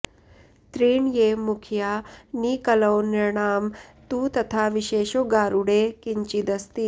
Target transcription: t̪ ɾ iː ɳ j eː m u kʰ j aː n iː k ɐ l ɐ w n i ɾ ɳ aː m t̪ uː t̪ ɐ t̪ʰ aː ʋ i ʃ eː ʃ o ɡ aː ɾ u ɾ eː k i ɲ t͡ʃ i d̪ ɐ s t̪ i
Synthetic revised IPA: t̪ ɾ iː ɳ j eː m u kʰ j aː n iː k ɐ l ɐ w n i ɾ ɳ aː m t̪ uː t̪ ɐ t̪ʰ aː ʋ i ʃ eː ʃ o ɡ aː ɾ u ɽ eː k i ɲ t͡ʃ i d̪ ɐ s t̪ i